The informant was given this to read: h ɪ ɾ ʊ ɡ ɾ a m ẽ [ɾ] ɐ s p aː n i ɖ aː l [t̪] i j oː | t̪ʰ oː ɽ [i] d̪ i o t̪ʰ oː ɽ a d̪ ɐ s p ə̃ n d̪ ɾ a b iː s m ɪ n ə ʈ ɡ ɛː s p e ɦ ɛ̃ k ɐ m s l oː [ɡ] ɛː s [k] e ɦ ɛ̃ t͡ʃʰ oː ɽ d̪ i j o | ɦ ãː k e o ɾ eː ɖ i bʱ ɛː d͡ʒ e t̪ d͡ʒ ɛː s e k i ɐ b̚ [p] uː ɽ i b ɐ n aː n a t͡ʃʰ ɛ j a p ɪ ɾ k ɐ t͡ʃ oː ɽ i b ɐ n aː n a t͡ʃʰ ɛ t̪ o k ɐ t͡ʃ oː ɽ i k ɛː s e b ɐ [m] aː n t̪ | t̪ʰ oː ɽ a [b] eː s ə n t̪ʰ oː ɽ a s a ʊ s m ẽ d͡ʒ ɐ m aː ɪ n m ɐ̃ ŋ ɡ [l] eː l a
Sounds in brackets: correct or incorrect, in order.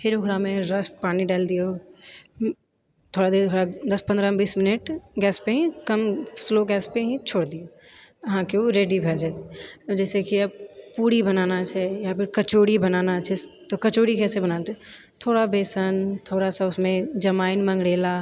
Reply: correct, incorrect, incorrect, correct, incorrect, correct, incorrect, correct, incorrect

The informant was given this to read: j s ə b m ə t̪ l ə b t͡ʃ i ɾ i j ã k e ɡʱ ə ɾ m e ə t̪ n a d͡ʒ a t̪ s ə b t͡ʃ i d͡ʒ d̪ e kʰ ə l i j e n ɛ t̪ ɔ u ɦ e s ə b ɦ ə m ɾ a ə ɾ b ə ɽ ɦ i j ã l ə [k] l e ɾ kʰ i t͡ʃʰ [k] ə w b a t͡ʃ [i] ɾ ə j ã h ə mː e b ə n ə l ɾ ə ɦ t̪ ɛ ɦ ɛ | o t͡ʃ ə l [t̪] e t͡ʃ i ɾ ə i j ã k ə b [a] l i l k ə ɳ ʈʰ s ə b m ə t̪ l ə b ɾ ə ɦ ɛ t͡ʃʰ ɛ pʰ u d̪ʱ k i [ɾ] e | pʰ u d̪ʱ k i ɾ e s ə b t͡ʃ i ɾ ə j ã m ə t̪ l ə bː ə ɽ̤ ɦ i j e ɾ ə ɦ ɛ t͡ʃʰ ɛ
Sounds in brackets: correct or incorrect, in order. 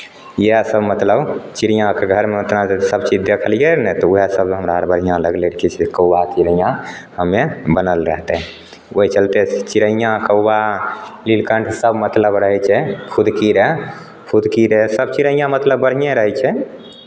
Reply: incorrect, correct, correct, correct, correct, correct

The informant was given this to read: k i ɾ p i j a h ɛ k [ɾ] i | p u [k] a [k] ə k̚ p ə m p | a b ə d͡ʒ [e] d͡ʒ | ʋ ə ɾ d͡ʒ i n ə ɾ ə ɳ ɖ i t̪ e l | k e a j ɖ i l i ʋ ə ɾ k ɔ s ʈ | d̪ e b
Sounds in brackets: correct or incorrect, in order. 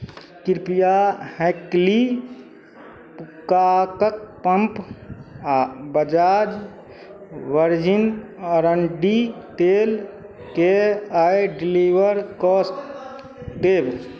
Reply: incorrect, correct, correct, incorrect

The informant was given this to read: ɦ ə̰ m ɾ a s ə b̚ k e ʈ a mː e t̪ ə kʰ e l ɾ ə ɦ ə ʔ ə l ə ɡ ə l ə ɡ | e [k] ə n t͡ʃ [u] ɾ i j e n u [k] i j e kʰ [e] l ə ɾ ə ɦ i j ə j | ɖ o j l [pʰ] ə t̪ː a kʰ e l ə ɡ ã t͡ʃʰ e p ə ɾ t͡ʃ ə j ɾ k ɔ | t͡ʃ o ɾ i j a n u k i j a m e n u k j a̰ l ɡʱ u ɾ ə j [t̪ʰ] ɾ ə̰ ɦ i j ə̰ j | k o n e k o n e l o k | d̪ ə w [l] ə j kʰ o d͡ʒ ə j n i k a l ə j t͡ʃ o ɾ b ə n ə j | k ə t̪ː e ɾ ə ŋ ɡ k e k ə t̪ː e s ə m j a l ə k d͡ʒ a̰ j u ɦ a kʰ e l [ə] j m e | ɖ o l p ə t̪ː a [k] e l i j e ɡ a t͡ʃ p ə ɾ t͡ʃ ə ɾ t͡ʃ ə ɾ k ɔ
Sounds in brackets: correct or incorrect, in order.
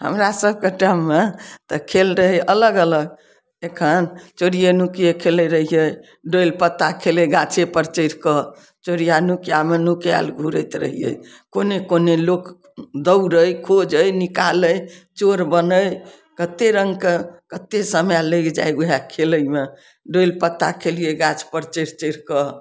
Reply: incorrect, incorrect, correct, correct, incorrect, incorrect, incorrect, correct, incorrect

